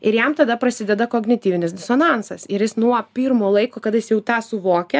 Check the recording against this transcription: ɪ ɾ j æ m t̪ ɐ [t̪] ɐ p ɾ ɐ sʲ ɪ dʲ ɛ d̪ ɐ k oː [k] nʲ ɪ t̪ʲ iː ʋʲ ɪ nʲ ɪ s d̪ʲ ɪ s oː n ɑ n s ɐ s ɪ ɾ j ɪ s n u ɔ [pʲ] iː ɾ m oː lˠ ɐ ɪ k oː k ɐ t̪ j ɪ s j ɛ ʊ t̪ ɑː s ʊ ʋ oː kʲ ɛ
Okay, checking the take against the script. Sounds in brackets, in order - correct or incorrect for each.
incorrect: d̪, incorrect: ɡ, correct

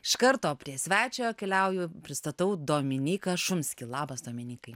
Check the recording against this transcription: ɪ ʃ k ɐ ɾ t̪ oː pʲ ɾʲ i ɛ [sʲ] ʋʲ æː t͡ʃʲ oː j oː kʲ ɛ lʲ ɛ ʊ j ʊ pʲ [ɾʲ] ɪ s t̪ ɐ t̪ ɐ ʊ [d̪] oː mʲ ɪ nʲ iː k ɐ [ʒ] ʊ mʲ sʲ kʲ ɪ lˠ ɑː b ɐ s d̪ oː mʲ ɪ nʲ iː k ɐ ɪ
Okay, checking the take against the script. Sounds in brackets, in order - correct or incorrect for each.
correct, correct, correct, incorrect: ʃ

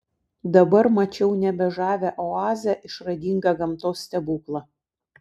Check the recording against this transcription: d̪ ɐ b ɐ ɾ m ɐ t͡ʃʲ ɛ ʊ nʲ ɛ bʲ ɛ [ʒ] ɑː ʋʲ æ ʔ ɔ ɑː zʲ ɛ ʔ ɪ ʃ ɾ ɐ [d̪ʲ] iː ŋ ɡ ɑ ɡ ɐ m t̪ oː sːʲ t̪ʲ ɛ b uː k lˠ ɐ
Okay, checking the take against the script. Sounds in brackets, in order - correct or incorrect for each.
correct, correct

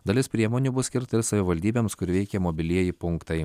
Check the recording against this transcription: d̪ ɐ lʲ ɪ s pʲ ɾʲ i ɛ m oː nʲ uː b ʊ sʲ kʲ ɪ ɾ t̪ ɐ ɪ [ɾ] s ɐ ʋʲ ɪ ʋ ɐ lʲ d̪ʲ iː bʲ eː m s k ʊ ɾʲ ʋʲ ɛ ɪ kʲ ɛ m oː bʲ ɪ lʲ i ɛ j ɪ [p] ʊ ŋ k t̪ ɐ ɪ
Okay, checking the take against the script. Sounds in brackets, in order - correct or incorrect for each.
correct, correct

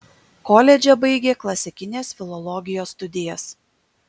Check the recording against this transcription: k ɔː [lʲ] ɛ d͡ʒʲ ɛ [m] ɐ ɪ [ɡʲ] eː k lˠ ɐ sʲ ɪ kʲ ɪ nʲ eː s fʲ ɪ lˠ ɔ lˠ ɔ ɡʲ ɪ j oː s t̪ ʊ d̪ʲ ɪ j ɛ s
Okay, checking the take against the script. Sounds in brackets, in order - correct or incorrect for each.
correct, incorrect: b, correct

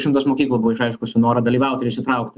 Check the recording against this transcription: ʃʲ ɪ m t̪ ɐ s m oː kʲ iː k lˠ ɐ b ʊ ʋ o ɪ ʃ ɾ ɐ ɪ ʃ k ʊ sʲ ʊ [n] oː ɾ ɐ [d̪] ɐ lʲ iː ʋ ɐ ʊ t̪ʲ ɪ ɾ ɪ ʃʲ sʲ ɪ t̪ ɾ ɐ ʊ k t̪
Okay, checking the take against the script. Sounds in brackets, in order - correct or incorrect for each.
correct, correct

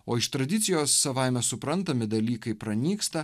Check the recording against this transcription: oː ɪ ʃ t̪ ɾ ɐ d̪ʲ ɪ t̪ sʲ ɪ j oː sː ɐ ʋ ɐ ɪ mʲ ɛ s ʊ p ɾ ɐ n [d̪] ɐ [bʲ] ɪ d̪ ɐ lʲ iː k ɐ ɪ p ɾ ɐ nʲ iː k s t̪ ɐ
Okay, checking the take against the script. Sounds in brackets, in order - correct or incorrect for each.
incorrect: t̪, incorrect: mʲ

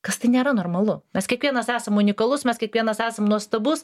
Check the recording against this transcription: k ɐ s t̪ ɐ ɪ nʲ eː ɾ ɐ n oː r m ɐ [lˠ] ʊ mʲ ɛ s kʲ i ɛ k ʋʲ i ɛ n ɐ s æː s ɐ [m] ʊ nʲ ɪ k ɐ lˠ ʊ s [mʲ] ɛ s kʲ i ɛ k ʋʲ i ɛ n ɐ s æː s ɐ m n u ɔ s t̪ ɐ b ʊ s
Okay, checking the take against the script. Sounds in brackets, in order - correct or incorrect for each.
correct, correct, correct

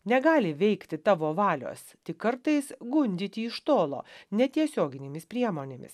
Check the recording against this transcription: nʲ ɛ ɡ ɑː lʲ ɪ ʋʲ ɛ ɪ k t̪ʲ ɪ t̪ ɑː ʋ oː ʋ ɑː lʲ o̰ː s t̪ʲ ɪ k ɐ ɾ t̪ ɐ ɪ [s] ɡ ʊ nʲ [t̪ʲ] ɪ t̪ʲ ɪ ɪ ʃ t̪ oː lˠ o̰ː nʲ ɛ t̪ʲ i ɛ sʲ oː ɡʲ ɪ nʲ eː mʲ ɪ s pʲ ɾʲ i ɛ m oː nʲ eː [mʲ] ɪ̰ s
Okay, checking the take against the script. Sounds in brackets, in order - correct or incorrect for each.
correct, incorrect: d̪ʲ, correct

